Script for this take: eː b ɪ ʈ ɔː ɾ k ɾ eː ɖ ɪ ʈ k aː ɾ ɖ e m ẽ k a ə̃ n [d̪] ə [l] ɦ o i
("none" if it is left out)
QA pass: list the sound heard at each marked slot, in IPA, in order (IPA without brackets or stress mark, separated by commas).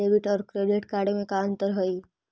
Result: t̪, ɾ